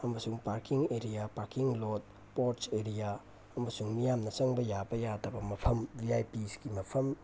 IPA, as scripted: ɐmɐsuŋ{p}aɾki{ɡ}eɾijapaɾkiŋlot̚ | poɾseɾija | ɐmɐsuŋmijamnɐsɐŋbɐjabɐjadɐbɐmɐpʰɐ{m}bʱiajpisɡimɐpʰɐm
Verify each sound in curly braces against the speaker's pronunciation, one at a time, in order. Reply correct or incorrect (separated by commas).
correct, incorrect, correct